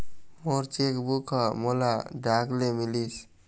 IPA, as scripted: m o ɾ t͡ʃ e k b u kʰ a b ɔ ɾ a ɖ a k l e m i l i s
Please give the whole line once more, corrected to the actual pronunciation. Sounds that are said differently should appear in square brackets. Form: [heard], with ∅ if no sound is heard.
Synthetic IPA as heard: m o ɾ t͡ʃ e k b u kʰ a [m] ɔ [l] a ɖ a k l e m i l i s